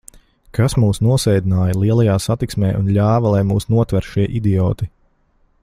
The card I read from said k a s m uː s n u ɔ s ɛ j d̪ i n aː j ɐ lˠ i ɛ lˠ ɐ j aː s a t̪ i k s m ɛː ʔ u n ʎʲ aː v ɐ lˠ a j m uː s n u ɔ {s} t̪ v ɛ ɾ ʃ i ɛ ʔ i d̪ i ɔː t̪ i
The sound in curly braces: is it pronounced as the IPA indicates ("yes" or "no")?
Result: no